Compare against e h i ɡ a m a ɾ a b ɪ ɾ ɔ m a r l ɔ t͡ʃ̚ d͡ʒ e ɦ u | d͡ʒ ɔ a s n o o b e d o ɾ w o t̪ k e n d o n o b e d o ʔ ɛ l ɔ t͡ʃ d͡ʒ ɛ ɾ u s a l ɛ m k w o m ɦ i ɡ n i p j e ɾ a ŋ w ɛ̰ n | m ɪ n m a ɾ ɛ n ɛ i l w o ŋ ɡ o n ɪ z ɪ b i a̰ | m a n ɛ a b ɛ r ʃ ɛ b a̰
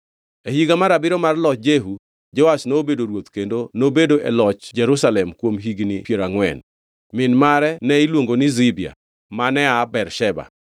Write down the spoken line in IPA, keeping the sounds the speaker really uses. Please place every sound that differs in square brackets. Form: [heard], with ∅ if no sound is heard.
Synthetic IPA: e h i ɡ a m a ɾ a b ɪ ɾ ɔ m a r l ɔ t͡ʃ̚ d͡ʒ e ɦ u | d͡ʒ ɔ a s n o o b e d o ɾ w o t̪ k e n d o n o b e d o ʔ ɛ l ɔ t͡ʃ d͡ʒ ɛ ɾ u s a l ɛ m k w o m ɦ i ɡ n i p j e ɾ a ŋ w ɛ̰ n | m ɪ n m a ɾ ɛ n ɛ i l w o ŋ ɡ o n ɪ z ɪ b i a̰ | m a n ɛ a b ɛ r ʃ ɛ b a̰